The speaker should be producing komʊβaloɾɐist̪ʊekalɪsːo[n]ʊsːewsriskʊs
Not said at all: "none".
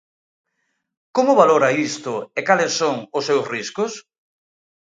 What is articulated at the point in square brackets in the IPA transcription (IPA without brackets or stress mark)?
ŋ